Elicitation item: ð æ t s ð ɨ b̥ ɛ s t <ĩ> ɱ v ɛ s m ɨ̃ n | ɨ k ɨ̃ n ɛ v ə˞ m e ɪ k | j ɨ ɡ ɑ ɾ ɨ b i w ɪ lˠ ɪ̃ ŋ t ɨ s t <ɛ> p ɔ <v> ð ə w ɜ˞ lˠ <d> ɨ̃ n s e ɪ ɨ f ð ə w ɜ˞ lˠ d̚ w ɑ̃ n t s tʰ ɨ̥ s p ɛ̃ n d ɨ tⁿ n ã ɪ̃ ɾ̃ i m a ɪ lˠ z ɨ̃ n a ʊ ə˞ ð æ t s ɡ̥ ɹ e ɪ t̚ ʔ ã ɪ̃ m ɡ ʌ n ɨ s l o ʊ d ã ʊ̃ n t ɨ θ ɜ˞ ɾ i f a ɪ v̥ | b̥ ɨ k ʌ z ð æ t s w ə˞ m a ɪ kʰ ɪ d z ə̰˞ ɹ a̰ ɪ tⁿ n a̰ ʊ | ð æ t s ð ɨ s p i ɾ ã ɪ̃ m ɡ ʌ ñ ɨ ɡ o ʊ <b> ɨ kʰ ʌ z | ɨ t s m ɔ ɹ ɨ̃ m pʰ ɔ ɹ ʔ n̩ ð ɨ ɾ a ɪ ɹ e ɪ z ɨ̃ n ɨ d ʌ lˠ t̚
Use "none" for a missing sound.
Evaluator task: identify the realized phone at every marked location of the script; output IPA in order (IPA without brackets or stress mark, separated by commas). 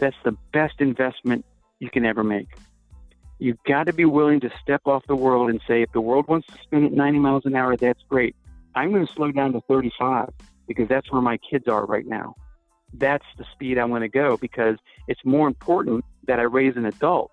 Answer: ɨ̃, ɛ, f, d, b